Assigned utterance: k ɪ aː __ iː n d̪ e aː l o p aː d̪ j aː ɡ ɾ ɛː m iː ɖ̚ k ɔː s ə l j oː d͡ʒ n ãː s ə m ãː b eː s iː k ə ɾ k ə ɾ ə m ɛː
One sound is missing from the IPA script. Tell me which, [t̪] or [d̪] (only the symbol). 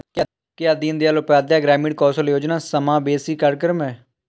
d̪